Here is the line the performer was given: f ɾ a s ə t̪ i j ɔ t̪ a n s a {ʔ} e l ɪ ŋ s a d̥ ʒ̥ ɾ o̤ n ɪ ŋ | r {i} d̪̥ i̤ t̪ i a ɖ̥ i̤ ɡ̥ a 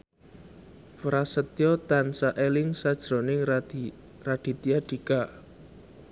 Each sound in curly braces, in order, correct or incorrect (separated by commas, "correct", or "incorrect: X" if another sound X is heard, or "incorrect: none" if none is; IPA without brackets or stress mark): correct, incorrect: a